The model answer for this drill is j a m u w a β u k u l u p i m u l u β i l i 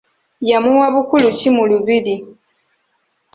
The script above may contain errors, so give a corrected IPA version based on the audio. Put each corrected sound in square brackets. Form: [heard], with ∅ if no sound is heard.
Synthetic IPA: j a m u w a β u k u l u [c] i m u l u β i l i

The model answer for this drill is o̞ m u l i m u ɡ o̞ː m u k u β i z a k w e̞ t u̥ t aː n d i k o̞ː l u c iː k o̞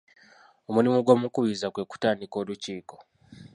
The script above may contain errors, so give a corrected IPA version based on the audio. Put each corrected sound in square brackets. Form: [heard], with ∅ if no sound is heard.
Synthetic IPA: o̞ m u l i m u ɡ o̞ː m u k u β i z a k w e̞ [k] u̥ t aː n d i k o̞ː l u c iː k o̞

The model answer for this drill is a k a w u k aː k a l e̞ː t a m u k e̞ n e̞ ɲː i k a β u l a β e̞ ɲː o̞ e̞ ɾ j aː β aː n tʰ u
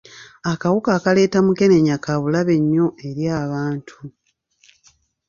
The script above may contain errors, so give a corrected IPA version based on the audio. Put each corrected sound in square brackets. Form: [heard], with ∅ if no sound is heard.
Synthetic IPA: a k a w u k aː k a l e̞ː t a m u k e̞ n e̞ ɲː [a] k a β u l a β e̞ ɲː o̞ e̞ ɾ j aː β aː n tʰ u

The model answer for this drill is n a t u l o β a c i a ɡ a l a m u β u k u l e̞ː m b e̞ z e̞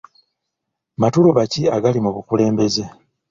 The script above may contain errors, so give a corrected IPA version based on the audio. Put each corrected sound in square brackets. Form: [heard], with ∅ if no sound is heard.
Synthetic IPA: [m] a t u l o β a c i a ɡ a l [i] m u β u k u l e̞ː m b e̞ z e̞

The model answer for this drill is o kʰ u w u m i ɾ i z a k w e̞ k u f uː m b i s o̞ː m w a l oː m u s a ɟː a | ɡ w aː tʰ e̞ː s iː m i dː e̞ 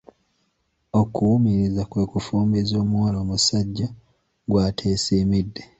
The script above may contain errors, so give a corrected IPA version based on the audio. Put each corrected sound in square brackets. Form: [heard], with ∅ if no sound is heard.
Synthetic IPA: o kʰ u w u m i ɾ i z a k w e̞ k u f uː m b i [z] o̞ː m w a l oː m u s a ɟː a | ɡ w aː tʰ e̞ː s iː m i dː e̞

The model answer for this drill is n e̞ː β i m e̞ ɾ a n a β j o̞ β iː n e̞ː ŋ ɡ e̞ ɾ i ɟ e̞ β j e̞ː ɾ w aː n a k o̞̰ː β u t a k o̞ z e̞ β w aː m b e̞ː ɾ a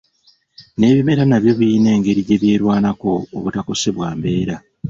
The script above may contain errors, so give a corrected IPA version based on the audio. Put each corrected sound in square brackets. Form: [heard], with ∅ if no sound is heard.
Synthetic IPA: n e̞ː β i m e̞ ɾ a n a β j o̞ β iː n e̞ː ŋ ɡ e̞ ɾ i ɟ e̞ β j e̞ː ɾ w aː n a k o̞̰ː β u t a k o̞ [s] e̞ β w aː m b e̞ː ɾ a

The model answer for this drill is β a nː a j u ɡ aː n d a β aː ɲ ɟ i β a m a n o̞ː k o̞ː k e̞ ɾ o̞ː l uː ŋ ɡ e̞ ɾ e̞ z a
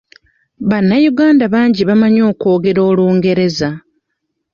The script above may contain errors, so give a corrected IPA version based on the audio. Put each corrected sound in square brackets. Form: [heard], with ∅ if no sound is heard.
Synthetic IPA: β a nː a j u ɡ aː n d a β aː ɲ ɟ i β a m a [ɲ] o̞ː k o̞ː [ɡ] e̞ ɾ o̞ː l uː ŋ ɡ e̞ ɾ e̞ z a

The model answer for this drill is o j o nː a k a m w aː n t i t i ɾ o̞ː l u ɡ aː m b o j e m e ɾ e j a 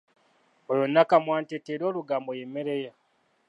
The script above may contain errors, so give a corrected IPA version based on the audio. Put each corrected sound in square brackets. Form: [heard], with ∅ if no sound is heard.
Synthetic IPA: o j o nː a k a m w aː n t [e] t [e] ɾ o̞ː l u ɡ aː m b o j e m e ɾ e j a

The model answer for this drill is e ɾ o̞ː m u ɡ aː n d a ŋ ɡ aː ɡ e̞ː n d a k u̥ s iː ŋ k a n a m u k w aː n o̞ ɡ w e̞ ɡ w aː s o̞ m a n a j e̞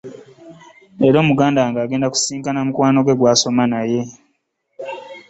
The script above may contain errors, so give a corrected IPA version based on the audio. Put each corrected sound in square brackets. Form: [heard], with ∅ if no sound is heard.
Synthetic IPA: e ɾ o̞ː m u ɡ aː n d a ŋ ɡ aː ɡ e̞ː n d a k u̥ s iː ŋ k a n a m u k w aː n o̞ ɡ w e̞ ɡ w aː s o̞ m a n a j e̞

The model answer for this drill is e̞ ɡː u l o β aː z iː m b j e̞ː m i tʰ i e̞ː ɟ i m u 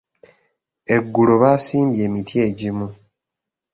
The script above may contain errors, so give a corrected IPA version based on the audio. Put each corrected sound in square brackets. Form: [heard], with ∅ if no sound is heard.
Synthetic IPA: e̞ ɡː u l o β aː [s] iː m b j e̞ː m i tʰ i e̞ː ɟ i m u

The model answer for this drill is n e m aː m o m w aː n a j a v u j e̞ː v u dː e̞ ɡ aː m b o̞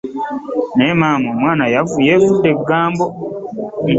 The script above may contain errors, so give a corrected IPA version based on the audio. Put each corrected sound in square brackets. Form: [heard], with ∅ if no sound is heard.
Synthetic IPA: n e m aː m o m w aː n a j a v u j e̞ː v u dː e̞ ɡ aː m b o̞

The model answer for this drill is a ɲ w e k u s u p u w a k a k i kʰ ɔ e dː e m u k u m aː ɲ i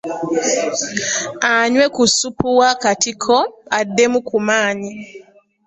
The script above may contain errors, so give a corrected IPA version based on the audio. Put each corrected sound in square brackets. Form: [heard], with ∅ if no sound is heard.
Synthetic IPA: a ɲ w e k u s u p u w a k a [t] i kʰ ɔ [a] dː e m u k u m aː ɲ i

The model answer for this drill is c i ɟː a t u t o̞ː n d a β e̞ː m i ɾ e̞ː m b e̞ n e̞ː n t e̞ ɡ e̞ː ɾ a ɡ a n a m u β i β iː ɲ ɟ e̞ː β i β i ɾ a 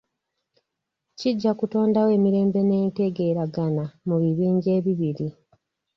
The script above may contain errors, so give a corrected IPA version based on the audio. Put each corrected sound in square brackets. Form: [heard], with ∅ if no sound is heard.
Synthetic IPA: c i ɟː a [k] u t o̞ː n d a [w] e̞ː m i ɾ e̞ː m b e̞ n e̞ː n t e̞ ɡ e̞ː ɾ a ɡ a n a m u β i β iː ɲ ɟ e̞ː β i β i ɾ [i]

